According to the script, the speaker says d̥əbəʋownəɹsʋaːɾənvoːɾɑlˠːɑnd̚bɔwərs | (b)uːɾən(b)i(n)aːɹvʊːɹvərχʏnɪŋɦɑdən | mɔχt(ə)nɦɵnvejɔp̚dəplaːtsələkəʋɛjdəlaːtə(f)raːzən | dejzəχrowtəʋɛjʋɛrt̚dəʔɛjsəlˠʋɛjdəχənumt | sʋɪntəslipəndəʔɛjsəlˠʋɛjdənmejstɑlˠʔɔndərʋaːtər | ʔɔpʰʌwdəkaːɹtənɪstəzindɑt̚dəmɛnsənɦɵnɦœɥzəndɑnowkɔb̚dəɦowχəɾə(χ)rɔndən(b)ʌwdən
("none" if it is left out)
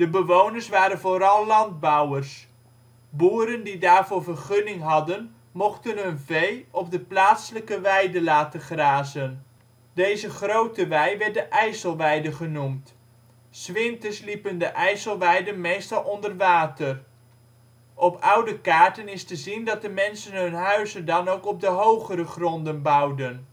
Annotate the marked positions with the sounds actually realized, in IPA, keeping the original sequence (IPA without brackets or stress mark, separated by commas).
b, d, d, ə, χ, χ, b